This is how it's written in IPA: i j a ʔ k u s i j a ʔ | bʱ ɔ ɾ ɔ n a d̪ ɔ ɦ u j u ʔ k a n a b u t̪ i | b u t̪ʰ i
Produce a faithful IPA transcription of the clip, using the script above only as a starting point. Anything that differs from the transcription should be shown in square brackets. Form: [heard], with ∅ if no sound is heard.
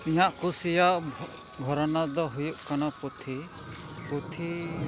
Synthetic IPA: i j a ʔ k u s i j a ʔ | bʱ ɔ ɾ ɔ n a d̪ ɔ ɦ u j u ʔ k a n a [p] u [t̪ʰ] i | [p] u t̪ʰ i